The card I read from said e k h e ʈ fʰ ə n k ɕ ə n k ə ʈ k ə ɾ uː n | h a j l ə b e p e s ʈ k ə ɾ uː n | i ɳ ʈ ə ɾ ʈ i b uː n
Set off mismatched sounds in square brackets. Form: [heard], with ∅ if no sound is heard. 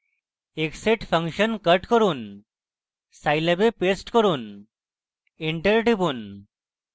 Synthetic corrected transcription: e k [s] e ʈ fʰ ə [ŋ] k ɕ ə n k ə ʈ k ə ɾ uː n | [s] a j l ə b e p e s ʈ k ə ɾ uː n | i ɳ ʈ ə ɾ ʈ i b uː n